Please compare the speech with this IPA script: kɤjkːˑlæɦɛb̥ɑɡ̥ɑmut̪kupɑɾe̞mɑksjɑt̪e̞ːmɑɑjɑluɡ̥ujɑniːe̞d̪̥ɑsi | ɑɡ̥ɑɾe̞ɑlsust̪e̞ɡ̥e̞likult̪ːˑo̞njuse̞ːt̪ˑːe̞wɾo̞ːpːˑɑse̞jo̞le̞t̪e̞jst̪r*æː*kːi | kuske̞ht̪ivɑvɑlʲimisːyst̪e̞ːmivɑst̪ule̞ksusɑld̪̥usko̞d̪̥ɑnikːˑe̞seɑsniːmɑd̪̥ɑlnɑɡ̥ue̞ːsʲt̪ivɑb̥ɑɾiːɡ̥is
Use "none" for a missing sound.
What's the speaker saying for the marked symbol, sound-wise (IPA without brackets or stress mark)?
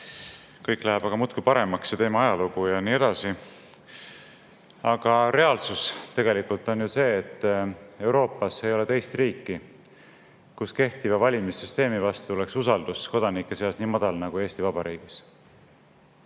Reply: iː